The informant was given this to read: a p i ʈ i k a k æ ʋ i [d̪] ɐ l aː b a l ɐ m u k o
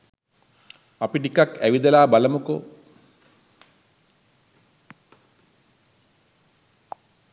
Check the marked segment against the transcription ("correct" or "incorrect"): correct